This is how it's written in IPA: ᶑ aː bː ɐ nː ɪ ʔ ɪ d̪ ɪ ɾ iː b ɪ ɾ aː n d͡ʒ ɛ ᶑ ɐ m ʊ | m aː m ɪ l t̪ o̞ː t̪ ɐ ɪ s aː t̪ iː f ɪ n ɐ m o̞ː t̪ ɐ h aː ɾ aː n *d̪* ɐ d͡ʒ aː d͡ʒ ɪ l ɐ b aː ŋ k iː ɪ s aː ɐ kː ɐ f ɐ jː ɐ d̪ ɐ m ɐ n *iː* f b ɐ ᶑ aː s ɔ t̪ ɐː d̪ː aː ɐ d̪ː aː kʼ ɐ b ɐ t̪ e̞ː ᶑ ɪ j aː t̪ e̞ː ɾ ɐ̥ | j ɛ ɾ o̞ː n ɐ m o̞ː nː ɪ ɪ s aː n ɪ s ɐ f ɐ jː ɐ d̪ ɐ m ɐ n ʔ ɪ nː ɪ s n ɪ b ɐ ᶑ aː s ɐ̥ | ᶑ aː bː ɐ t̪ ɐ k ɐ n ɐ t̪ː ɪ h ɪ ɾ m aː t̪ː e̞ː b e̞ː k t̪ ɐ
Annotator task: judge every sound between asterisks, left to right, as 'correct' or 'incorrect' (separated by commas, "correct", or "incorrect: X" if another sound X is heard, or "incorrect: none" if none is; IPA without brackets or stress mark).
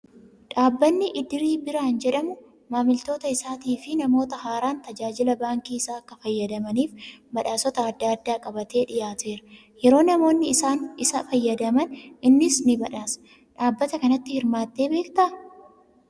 incorrect: t̪, correct